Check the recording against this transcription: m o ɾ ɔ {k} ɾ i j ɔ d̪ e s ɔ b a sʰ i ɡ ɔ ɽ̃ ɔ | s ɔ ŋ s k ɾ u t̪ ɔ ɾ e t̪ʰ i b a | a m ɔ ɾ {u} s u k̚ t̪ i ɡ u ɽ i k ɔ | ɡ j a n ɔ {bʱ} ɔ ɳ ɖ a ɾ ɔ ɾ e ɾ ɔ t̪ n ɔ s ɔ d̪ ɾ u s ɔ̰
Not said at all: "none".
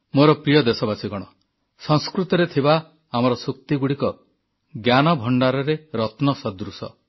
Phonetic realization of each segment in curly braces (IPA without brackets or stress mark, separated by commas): p, ɔ, bʱ